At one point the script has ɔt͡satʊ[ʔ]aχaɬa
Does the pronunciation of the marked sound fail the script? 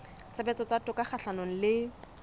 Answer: yes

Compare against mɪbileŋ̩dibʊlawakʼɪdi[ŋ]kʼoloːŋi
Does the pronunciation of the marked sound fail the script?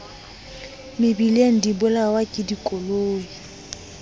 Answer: yes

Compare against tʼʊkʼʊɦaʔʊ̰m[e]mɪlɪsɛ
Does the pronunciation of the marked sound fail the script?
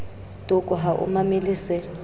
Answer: yes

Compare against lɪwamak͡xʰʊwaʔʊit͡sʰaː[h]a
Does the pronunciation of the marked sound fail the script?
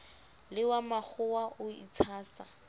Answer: yes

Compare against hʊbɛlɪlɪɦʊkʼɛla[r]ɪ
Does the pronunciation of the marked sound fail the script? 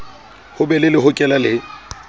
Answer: yes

